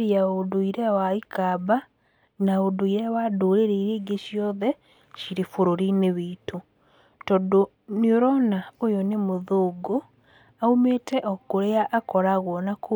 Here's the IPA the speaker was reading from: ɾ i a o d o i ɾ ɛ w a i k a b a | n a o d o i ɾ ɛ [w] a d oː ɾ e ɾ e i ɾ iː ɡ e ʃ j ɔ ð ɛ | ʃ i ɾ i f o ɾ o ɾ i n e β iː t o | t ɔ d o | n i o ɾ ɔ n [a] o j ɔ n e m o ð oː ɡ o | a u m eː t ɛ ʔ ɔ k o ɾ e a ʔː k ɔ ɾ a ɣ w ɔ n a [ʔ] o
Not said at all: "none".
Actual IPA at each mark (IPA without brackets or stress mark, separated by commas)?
w, a, k